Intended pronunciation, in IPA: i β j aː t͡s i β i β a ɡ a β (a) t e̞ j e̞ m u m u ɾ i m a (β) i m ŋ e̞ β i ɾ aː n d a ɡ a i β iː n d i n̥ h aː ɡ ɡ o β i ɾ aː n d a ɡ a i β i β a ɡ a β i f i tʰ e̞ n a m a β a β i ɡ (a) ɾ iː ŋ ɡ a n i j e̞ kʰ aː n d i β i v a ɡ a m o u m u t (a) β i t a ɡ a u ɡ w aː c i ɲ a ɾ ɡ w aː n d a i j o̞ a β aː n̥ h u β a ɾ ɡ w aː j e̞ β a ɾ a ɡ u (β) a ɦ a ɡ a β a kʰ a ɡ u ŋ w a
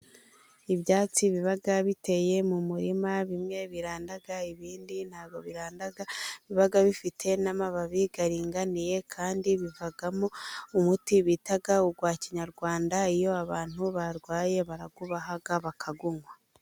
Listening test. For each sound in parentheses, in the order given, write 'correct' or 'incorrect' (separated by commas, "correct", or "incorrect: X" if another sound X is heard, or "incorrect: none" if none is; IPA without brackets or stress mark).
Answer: incorrect: i, correct, correct, incorrect: i, correct